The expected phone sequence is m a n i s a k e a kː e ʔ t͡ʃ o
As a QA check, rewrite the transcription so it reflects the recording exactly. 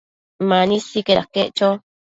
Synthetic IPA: m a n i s i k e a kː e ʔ t͡ʃ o